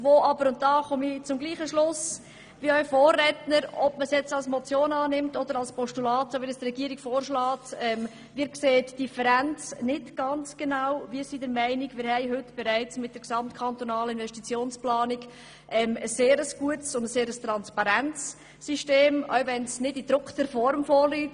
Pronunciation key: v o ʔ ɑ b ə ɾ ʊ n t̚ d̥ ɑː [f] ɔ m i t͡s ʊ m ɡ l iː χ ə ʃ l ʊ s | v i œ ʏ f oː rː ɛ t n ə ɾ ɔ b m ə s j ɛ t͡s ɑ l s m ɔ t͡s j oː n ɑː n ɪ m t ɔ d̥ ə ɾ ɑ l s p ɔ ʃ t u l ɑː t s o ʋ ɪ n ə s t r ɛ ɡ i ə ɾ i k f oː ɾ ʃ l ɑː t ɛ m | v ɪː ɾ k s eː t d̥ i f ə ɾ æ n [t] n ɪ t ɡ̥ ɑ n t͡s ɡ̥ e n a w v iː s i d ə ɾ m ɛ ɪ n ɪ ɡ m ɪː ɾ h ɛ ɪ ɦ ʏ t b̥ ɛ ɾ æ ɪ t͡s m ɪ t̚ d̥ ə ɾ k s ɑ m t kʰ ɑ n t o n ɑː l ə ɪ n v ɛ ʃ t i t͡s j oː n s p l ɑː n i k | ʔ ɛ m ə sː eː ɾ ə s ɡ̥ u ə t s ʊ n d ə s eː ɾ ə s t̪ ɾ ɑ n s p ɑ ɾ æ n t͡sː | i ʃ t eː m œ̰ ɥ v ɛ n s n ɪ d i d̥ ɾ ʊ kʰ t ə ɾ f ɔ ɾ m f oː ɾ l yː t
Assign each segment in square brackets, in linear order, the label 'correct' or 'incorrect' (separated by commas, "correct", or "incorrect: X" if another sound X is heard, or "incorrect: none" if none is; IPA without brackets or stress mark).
incorrect: χ, incorrect: t͡s